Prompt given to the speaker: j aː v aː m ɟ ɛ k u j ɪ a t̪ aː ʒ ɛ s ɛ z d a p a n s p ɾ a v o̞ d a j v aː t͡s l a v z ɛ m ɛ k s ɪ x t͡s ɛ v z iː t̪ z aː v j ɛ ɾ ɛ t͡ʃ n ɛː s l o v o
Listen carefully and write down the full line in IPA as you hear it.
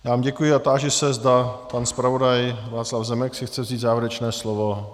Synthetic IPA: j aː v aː m ɟ ɛ k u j ɪ a t̪ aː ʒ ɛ s ɛ z d a p a n s p ɾ a v o̞ d a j v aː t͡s l a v z ɛ m ɛ k s ɪ x t͡s ɛ v z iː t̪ z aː v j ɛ ɾ ɛ t͡ʃ n ɛː s l o v o